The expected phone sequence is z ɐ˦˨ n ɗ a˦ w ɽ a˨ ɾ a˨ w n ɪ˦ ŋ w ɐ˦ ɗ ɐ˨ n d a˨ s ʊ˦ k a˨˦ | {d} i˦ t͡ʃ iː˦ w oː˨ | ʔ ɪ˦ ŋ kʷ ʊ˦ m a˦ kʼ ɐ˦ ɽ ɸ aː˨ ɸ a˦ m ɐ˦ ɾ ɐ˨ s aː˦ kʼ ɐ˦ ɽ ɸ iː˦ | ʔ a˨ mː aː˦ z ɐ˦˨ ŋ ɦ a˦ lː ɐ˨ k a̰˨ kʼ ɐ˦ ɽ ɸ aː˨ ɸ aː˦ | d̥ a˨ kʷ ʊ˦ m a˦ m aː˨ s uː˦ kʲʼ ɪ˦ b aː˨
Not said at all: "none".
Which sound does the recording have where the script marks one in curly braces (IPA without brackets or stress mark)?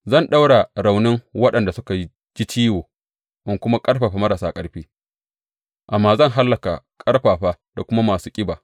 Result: d͡ʒ